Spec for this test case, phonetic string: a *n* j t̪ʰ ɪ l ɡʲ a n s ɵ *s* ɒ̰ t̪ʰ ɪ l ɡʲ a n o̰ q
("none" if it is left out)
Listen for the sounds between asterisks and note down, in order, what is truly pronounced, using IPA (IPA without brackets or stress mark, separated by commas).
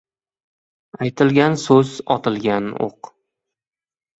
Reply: none, z